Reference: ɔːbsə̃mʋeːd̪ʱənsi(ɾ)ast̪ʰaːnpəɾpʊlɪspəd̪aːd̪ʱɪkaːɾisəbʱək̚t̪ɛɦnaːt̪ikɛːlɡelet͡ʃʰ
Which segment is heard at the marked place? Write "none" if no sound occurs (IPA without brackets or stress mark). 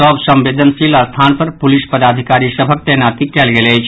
l